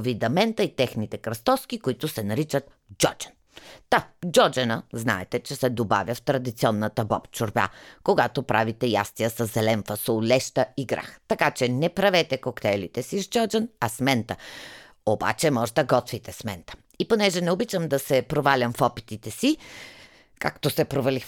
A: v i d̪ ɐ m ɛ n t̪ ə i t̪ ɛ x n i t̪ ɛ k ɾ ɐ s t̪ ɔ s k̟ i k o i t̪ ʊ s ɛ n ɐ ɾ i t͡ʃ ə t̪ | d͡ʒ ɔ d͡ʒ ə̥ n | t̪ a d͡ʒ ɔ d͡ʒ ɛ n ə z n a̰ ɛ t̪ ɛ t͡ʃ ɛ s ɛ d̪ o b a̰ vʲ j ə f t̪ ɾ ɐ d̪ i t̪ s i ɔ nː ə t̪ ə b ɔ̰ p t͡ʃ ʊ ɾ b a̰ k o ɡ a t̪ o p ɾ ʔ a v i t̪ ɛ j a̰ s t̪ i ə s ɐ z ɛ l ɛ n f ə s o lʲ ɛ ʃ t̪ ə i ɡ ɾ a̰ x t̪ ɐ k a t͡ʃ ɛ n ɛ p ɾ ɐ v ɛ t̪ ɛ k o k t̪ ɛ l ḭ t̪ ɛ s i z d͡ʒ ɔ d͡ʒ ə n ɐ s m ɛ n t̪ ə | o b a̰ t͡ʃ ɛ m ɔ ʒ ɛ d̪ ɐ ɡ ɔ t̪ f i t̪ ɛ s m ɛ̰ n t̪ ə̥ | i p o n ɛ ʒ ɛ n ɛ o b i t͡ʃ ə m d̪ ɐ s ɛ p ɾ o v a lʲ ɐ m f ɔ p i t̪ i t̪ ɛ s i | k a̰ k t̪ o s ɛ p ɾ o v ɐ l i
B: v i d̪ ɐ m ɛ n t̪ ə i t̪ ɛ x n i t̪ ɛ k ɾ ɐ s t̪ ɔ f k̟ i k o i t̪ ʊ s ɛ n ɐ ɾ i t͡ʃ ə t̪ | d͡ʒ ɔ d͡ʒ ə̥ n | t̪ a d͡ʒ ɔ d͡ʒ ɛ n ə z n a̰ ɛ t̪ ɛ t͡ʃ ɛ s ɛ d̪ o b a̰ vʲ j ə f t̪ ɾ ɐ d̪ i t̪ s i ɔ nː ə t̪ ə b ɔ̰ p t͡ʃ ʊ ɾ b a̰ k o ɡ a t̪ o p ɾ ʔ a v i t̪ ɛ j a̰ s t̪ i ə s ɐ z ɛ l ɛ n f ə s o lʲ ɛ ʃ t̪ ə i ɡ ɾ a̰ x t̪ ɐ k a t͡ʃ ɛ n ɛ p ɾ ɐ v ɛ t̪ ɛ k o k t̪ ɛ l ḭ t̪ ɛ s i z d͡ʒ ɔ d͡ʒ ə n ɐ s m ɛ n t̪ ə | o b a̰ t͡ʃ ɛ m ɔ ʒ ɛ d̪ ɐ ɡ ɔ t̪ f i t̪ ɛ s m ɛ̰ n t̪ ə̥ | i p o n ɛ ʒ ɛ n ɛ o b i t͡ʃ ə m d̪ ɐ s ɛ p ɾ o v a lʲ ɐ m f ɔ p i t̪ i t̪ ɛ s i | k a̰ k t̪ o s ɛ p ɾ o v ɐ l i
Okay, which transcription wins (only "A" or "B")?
A